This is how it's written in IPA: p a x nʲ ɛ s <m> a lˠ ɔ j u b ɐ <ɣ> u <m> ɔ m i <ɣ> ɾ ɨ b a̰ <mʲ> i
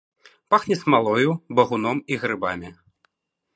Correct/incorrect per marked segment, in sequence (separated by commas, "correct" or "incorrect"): correct, correct, incorrect, correct, correct